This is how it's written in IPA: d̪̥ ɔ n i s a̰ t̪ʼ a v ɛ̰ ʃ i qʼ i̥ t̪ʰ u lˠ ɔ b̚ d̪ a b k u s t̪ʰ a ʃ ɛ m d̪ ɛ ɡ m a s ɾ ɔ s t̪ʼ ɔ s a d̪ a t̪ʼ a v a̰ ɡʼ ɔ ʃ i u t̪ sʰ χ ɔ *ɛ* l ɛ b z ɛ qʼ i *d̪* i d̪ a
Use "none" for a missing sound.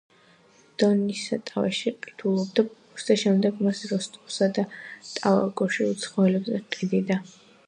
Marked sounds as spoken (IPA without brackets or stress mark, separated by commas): ɛ, d̪